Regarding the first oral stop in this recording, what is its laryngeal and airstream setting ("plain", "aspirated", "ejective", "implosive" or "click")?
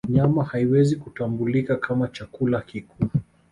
plain